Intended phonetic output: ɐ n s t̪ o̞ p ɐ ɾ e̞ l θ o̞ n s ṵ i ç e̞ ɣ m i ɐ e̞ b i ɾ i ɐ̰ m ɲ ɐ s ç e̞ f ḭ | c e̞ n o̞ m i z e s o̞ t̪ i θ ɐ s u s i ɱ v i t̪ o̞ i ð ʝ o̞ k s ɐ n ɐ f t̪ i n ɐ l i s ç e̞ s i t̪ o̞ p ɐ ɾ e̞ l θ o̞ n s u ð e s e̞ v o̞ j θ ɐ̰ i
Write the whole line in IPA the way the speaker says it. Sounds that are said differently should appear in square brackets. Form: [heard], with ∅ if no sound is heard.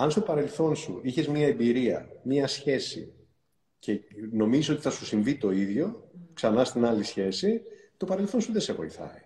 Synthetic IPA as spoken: ɐ n s t̪ o̞ p ɐ ɾ e̞ l θ o̞ n s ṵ i ç e̞ [z] m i ɐ e̞ b i ɾ i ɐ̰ m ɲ ɐ s ç e̞ [s] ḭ | c e̞ n o̞ m i z [i] s o̞ t̪ i θ ɐ s u s i ɱ v i t̪ o̞ i ð ʝ o̞ k s ɐ n ɐ [s] t̪ i n ɐ l i s ç e̞ s i t̪ o̞ p ɐ ɾ e̞ l θ o̞ n s u ð e s e̞ v o̞ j θ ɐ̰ i